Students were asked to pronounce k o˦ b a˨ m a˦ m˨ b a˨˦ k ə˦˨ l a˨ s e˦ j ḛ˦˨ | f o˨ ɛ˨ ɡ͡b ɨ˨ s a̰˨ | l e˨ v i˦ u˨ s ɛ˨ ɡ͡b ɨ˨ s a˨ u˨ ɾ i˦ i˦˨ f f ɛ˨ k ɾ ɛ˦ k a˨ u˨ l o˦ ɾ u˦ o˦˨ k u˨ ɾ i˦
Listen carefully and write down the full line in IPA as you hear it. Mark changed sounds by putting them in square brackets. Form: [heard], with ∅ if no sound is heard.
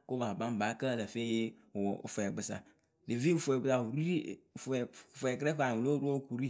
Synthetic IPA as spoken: k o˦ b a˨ [b] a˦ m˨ b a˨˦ k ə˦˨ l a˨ [f] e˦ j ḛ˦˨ | f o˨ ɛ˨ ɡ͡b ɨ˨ s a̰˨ | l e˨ v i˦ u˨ [f] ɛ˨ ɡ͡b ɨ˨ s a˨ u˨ ɾ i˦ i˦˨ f f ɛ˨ k ɾ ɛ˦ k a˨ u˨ l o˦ ɾ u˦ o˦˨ k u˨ ɾ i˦